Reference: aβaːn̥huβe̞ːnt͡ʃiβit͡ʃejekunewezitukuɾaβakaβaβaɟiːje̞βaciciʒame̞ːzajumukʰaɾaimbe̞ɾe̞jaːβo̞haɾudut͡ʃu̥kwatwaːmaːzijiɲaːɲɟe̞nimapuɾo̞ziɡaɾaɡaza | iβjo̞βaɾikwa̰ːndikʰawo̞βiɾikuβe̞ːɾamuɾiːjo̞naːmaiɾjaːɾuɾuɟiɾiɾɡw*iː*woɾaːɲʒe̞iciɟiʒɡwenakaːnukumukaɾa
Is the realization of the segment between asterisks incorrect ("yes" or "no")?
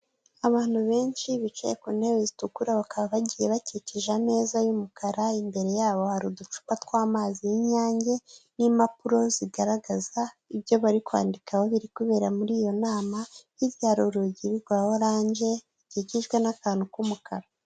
yes